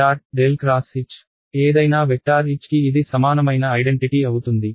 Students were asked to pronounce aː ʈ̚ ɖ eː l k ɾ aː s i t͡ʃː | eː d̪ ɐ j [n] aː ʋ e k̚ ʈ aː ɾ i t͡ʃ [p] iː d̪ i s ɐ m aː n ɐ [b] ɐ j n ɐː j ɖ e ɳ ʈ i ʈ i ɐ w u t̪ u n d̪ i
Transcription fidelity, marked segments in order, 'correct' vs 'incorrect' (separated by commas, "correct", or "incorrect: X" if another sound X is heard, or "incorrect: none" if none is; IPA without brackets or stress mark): correct, incorrect: k, incorrect: m